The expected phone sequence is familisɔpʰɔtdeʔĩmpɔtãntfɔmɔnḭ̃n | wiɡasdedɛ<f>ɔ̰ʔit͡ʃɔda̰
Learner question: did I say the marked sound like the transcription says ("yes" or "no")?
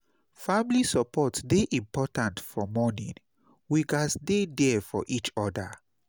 yes